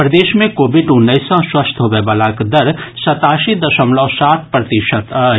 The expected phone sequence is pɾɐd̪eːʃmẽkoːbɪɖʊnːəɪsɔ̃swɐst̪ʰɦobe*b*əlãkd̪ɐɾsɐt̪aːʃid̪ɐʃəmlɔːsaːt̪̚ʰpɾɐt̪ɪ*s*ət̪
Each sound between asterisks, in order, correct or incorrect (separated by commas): correct, incorrect